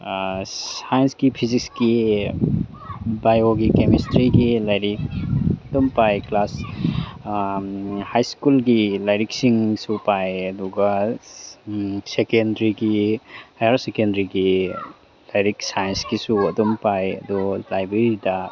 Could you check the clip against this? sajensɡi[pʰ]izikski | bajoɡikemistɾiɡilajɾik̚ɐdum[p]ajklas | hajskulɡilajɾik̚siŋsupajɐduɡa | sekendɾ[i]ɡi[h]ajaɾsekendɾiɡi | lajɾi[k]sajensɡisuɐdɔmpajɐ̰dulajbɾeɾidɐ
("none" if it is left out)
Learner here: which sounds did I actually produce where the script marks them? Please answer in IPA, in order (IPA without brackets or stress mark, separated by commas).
pʰ, p, i, h, k